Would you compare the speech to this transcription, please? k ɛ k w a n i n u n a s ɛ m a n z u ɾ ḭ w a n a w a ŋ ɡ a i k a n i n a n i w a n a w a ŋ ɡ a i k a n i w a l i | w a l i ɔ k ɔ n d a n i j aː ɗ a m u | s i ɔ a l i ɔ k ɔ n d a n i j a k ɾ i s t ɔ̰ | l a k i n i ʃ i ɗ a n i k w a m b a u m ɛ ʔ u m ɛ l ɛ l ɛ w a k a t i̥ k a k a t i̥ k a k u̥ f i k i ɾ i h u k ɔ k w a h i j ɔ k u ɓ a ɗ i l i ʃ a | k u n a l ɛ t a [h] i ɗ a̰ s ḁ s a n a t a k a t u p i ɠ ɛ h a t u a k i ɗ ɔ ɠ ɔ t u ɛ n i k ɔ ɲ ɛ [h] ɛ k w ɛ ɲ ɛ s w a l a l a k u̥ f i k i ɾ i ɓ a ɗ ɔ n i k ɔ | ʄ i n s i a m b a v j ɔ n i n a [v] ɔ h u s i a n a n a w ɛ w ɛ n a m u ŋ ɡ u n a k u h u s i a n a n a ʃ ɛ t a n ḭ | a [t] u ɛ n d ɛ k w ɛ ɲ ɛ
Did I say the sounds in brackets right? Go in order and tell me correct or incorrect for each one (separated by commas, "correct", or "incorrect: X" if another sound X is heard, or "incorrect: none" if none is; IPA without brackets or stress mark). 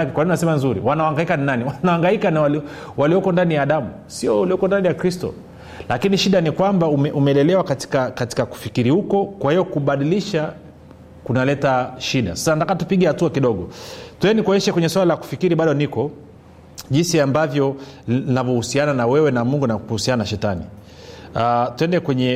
incorrect: ʃ, incorrect: ʃ, correct, correct